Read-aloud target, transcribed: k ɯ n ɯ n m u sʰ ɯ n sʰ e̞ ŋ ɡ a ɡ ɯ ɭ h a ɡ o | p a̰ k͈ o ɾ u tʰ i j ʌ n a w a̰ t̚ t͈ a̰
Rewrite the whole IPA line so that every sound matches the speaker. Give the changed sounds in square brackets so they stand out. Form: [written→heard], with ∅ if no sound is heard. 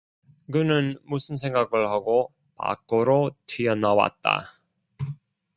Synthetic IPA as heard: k ɯ n ɯ n m u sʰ ɯ n sʰ e̞ ŋ ɡ a ɡ ɯ ɭ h a ɡ o | p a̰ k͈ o ɾ [u→o] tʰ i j ʌ n a w a̰ t̚ t͈ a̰